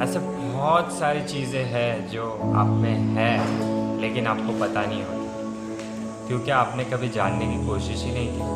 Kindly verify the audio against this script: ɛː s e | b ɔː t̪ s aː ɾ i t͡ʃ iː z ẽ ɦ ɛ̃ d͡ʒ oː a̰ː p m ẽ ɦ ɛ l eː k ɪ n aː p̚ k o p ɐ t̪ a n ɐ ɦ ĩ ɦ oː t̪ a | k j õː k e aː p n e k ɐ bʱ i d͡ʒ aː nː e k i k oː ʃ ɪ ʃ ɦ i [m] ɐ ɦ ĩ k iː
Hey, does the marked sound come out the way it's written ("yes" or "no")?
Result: no